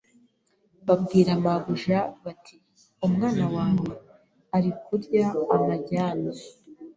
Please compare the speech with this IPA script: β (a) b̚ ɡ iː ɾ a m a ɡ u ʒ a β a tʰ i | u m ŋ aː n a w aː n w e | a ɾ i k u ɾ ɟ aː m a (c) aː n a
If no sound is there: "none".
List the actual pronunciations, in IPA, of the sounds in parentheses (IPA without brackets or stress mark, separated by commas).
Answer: a, ɟ